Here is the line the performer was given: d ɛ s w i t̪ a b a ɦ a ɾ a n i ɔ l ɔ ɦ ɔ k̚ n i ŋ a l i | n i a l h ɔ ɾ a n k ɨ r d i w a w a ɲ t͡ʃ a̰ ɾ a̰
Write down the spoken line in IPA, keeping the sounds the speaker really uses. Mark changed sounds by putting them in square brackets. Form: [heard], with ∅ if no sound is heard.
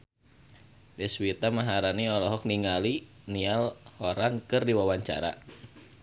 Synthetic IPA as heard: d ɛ s w i t̪ a [m] a ɦ a ɾ a n i ɔ l ɔ ɦ ɔ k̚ n i ŋ a l i | n i a l h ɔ ɾ a n k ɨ r d i w a w a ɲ t͡ʃ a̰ ɾ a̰